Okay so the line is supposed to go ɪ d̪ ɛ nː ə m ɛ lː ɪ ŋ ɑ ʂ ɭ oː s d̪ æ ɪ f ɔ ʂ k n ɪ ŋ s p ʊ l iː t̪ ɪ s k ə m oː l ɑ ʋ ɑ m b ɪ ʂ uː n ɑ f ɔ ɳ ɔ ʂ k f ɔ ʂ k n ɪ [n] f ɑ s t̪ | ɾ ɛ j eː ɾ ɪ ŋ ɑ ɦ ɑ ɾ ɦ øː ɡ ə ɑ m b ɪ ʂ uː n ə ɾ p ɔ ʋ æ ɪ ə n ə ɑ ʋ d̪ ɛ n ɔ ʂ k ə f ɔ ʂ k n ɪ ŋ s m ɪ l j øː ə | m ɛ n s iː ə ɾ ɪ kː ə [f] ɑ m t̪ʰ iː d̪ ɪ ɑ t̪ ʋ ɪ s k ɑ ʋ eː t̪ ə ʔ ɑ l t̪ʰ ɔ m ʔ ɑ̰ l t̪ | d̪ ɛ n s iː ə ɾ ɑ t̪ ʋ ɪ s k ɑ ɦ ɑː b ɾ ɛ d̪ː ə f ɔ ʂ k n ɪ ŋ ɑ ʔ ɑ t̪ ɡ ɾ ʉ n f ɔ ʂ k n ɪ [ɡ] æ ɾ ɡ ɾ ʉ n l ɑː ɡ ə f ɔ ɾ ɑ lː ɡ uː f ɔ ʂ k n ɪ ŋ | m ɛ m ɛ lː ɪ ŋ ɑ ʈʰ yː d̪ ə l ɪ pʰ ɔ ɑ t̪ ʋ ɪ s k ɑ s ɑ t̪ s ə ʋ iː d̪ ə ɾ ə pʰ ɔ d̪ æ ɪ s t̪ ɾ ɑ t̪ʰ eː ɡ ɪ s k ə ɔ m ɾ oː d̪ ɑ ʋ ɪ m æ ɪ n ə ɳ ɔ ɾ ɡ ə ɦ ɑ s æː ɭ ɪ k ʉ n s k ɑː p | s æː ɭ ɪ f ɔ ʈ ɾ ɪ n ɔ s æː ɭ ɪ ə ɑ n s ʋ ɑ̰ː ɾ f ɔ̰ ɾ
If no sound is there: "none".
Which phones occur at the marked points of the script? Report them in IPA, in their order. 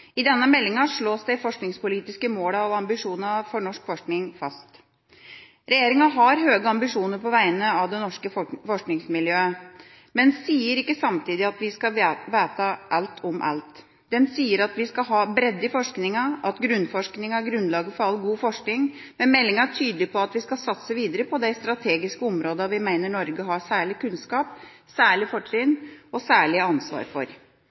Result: ŋ, s, ŋ

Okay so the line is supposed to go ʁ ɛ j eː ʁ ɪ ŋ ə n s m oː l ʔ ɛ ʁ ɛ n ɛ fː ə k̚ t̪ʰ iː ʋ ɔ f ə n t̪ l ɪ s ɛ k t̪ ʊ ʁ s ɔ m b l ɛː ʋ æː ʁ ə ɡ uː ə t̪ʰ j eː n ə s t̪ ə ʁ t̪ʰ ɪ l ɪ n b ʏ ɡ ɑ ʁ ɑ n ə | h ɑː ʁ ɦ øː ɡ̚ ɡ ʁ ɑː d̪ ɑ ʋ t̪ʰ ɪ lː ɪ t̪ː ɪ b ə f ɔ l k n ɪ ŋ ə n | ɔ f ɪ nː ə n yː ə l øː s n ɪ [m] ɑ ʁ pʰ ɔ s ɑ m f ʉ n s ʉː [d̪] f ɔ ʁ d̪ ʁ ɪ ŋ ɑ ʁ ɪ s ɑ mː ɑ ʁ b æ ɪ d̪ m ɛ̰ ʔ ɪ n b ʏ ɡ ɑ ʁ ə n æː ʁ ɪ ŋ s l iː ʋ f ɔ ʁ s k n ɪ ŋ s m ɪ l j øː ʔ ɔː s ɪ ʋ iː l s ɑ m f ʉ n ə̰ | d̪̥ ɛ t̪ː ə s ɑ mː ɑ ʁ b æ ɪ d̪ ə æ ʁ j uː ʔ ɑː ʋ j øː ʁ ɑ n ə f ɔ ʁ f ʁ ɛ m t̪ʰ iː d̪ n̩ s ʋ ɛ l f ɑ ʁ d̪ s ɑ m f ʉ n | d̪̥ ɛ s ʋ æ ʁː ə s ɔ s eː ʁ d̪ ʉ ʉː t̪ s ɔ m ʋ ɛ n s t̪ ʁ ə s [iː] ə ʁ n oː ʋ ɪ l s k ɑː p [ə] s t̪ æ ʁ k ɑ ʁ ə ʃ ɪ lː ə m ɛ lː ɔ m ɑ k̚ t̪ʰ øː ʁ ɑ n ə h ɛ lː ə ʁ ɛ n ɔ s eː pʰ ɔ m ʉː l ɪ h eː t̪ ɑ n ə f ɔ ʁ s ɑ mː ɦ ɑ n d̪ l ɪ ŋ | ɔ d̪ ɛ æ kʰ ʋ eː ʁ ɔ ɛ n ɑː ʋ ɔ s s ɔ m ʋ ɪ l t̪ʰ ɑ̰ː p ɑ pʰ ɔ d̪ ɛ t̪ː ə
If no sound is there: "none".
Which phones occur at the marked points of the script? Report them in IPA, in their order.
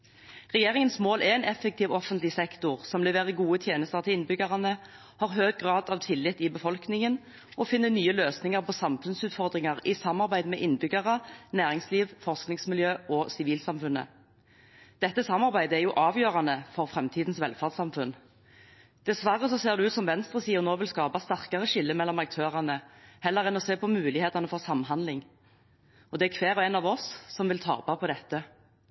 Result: ŋ, t̪, iː, ɑ

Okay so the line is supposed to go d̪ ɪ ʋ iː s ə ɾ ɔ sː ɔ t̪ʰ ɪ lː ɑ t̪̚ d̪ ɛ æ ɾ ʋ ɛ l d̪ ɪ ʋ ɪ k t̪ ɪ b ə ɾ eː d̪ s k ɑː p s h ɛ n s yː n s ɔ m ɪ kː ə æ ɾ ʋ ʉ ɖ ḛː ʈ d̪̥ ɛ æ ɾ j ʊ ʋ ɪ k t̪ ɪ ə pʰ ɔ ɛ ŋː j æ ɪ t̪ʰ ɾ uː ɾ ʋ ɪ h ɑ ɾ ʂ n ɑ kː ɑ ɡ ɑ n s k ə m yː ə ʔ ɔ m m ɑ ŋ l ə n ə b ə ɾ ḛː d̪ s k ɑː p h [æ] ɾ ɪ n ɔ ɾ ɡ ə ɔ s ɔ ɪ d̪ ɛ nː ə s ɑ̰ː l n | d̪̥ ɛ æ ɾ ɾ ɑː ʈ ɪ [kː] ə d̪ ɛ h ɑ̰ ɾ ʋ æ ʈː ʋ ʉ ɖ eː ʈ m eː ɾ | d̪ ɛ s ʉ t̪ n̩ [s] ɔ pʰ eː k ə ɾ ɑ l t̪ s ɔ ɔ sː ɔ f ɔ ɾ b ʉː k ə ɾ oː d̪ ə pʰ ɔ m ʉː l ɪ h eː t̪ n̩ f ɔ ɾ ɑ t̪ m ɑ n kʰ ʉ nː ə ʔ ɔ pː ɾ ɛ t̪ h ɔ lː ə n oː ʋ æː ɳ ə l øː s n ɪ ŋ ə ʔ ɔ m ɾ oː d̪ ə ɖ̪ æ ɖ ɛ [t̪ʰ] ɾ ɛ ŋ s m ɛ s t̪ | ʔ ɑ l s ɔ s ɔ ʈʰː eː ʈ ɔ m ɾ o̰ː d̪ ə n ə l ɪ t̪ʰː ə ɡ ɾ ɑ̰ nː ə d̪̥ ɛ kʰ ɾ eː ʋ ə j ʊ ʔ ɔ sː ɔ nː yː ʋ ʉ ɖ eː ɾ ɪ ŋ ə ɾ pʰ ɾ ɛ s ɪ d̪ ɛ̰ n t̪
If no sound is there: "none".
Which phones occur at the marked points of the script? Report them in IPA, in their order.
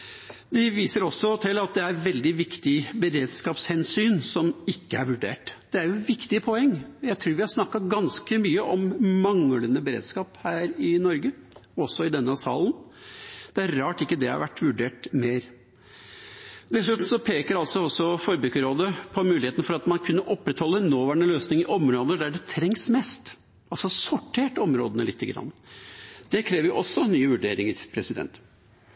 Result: æː, kː, s, t̪ʰ

